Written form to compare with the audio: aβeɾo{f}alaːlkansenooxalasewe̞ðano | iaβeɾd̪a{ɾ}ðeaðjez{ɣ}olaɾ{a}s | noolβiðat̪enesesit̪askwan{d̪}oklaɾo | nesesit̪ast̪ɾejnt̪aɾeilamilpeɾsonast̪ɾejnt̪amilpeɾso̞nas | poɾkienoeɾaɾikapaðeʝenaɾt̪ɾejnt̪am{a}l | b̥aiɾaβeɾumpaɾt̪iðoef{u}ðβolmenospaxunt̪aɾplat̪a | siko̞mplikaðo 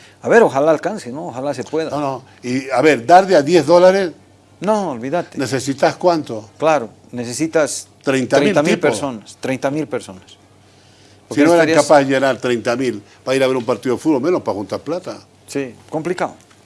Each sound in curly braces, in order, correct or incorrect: incorrect: x, correct, incorrect: ð, incorrect: e, incorrect: t̪, incorrect: i, correct

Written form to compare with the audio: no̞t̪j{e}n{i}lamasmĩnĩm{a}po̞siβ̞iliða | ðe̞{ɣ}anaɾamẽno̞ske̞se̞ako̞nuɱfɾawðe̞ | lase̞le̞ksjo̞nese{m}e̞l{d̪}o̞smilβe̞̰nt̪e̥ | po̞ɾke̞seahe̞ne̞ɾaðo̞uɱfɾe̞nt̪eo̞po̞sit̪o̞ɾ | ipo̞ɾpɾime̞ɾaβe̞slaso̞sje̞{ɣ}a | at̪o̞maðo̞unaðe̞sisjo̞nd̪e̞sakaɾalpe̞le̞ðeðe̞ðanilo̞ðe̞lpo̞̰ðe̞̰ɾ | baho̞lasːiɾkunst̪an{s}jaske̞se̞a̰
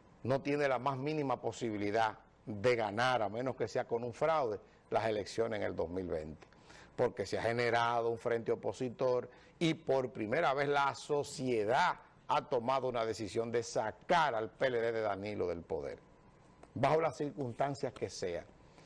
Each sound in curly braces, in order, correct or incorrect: correct, incorrect: e, correct, correct, incorrect: ŋ, correct, incorrect: ð, correct

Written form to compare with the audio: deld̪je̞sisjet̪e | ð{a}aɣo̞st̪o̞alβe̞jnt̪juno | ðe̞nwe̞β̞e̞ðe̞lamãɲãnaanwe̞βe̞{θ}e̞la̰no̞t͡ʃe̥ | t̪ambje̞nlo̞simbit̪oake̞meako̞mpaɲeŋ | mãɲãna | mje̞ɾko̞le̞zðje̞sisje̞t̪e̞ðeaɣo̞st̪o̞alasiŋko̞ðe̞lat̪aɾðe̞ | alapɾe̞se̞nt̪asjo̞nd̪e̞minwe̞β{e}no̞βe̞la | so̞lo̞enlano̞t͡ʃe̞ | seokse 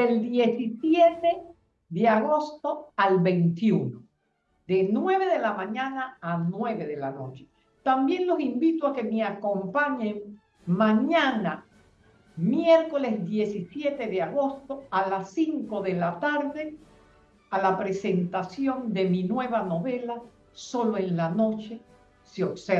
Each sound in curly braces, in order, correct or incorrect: incorrect: e, incorrect: ð, incorrect: a

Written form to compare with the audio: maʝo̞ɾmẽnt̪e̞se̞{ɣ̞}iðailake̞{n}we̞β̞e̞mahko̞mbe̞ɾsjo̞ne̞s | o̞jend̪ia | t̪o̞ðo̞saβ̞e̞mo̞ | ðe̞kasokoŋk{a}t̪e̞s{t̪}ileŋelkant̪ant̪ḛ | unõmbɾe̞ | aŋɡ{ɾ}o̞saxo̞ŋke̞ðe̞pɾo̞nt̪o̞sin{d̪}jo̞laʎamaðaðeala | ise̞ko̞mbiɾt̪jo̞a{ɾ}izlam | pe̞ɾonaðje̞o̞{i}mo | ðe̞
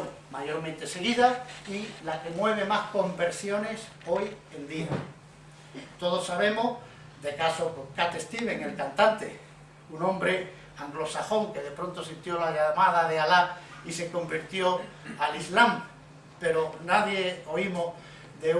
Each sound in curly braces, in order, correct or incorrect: correct, incorrect: m, correct, correct, incorrect: l, incorrect: t̪, incorrect: l, correct

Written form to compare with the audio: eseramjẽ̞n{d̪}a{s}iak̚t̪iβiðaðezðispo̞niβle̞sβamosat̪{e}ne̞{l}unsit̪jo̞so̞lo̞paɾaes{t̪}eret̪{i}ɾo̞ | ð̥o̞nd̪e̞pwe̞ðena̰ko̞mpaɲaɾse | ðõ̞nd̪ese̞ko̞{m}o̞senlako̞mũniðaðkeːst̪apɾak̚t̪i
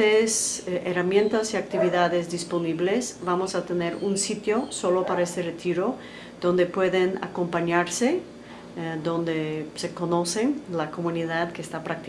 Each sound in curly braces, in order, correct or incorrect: incorrect: t̪, correct, correct, incorrect: ɾ, correct, correct, incorrect: n

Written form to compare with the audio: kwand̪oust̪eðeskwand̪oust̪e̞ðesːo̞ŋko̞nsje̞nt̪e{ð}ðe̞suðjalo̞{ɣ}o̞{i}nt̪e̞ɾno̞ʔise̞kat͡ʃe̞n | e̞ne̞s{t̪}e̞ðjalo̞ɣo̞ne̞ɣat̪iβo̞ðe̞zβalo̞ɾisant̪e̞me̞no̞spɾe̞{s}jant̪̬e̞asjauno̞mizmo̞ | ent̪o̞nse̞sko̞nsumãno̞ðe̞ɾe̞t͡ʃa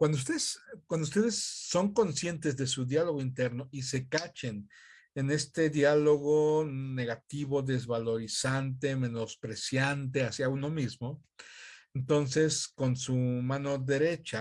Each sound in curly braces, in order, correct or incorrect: incorrect: z, correct, correct, correct, correct

